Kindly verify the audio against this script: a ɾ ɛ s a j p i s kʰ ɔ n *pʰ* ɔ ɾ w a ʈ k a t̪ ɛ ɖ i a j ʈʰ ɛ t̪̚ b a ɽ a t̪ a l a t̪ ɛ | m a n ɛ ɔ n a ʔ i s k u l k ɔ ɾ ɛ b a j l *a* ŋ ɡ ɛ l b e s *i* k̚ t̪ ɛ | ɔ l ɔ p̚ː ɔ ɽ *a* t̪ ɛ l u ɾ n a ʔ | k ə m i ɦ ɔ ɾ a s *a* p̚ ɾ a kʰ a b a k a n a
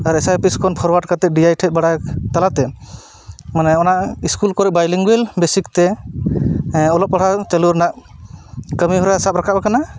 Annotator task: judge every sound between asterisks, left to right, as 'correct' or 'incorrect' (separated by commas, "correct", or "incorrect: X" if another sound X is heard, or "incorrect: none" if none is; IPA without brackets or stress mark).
correct, incorrect: i, correct, correct, correct